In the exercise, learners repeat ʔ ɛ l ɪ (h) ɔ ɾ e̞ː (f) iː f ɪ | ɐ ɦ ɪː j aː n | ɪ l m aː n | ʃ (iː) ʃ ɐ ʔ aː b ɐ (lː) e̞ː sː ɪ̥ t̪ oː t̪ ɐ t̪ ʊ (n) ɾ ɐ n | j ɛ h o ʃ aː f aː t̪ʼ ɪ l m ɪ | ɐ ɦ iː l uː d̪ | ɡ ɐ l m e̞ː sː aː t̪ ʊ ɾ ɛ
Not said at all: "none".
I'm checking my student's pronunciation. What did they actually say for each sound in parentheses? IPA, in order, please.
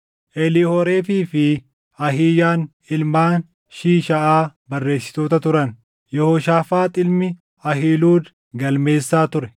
h, f, iː, rː, none

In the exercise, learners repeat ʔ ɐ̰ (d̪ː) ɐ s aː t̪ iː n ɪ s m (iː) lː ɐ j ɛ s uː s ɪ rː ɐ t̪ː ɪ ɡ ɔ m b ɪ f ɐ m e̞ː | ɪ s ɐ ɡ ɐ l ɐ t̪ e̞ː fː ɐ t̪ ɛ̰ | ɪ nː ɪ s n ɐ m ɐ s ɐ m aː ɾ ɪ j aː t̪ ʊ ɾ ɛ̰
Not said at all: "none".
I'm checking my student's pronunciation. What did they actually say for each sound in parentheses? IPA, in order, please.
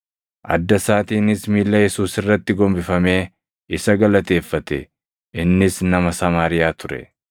d̪ː, iː

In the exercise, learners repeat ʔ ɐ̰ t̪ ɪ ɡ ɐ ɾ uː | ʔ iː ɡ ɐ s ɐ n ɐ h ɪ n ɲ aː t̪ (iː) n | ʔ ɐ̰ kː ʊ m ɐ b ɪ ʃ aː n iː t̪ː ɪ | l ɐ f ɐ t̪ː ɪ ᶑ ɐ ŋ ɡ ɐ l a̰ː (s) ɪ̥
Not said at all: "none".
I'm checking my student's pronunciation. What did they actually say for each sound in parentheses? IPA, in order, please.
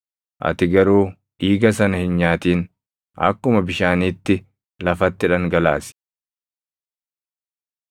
iː, s

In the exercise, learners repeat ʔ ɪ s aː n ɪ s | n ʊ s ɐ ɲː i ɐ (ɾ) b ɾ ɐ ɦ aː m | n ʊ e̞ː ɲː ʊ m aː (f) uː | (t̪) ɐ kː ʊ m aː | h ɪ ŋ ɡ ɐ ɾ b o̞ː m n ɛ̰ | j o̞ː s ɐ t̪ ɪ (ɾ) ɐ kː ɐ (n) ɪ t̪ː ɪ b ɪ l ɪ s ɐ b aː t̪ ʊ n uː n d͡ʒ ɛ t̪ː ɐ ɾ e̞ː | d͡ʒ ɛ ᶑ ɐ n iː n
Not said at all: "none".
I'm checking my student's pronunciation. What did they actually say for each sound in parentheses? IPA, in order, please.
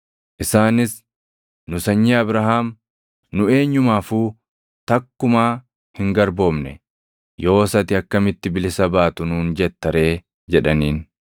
none, f, t̪, none, m

